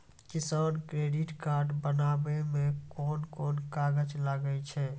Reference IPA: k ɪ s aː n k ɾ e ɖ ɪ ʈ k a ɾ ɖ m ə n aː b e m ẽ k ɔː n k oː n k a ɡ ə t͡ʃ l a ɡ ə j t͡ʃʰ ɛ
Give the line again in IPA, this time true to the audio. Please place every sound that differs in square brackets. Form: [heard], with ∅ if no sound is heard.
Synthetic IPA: k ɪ s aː n k ɾ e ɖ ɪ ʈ k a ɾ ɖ [b] ə n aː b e m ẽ k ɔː n k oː n k a ɡ ə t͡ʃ l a ɡ ə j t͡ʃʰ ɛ